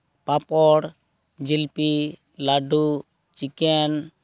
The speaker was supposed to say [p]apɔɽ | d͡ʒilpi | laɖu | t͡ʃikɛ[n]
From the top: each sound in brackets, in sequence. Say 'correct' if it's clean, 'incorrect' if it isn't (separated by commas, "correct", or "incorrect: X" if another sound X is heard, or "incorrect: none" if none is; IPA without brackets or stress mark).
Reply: correct, correct